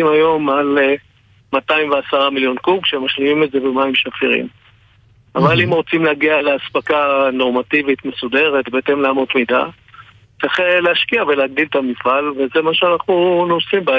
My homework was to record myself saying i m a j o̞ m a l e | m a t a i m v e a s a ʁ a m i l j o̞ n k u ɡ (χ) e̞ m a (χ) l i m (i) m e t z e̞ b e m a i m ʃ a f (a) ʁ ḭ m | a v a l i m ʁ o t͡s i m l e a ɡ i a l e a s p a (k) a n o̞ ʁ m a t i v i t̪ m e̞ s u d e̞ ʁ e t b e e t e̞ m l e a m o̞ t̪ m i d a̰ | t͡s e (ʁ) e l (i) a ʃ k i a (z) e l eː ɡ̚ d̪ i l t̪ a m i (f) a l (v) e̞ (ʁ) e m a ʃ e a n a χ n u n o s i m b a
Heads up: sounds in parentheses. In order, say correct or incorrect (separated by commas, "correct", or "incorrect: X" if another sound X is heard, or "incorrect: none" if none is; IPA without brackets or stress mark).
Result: incorrect: ʃ, incorrect: ʃ, correct, incorrect: i, correct, incorrect: χ, incorrect: e, incorrect: v, correct, correct, incorrect: z